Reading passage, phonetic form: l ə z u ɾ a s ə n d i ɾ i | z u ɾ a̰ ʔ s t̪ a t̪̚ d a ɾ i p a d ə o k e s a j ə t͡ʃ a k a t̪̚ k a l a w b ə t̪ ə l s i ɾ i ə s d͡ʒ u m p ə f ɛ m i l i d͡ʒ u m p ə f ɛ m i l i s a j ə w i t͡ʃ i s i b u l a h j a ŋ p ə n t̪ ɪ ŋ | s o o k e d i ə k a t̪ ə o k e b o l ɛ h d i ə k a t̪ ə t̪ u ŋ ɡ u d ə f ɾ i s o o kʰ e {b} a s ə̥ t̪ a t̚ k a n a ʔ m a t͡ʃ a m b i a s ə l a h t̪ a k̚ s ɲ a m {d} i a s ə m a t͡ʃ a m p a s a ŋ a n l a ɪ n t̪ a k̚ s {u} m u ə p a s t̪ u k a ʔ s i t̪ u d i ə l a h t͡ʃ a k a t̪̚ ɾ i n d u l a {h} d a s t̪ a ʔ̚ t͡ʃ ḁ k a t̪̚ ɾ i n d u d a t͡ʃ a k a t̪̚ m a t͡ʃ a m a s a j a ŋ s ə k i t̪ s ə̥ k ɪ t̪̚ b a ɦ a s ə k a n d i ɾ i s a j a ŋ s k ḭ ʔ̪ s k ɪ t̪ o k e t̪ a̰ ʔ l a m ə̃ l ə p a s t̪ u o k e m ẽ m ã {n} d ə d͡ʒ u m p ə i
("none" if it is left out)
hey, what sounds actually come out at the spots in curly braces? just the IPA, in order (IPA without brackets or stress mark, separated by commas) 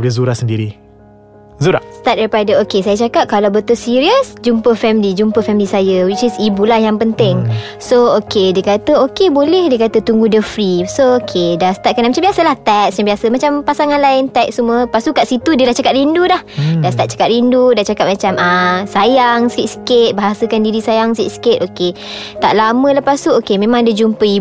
d, b, u, h, ŋ